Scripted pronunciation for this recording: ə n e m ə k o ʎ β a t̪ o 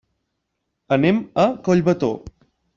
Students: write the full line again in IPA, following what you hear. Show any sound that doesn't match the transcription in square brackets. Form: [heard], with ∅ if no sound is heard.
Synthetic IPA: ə n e m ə k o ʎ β [ə] t̪ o